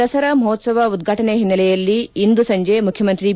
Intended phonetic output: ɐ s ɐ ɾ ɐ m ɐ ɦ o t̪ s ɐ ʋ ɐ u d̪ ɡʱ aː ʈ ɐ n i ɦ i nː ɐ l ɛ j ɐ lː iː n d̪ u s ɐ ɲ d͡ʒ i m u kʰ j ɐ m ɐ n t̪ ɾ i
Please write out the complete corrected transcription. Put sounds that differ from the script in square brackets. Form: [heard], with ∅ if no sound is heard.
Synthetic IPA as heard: ɐ s ɐ ɾ ɐ m ɐ ɦ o t̪ s ɐ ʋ ɐ u d̪ ɡʱ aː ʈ ɐ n [e] ɦ i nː ɐ l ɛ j ɐ lː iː n d̪ u s ɐ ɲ d͡ʒ [e] m u kʰ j ɐ m ɐ n t̪ ɾ i